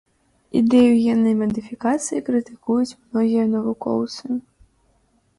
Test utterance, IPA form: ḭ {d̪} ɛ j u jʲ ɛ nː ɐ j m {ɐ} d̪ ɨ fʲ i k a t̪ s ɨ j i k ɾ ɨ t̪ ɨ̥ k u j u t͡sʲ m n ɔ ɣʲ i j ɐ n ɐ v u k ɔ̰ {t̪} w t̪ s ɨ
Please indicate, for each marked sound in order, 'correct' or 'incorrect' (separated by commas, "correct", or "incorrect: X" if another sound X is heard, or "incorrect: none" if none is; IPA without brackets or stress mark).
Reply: correct, correct, incorrect: none